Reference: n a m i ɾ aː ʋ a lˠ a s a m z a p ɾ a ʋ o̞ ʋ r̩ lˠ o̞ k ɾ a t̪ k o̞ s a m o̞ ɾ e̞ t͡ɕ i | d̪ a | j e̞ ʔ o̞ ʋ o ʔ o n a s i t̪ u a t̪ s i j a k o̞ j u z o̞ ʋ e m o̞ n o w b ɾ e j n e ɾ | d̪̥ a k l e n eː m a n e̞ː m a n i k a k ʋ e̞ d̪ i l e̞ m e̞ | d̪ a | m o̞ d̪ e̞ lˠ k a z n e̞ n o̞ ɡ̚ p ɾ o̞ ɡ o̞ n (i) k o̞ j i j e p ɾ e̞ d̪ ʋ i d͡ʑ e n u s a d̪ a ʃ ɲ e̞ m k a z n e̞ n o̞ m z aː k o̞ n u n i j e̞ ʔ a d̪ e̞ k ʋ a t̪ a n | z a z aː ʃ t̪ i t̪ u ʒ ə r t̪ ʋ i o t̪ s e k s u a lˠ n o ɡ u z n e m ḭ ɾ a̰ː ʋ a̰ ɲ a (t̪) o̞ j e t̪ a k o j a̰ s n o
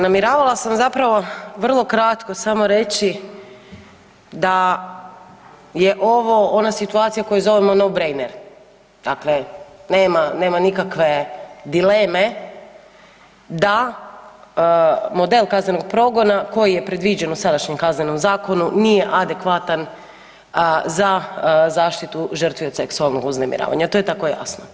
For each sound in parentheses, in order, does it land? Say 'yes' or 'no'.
no, yes

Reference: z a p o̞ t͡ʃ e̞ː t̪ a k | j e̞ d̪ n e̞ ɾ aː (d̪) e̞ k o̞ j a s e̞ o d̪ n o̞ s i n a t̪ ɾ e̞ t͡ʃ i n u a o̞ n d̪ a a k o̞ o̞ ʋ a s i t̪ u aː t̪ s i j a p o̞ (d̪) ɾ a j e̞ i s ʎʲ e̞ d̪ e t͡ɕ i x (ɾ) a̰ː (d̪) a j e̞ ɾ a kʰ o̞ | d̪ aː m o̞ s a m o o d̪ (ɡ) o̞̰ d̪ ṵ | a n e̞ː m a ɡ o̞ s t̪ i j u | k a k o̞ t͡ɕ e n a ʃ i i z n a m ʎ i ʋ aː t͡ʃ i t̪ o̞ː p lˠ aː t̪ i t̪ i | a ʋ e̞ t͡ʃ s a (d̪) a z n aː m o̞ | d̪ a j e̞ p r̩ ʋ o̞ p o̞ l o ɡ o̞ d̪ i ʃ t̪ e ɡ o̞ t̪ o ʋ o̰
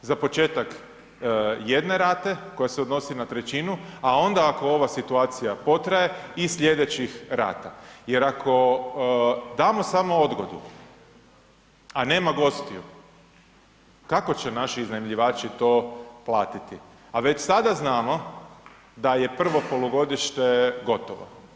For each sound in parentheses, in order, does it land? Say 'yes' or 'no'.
no, no, yes, no, yes, yes

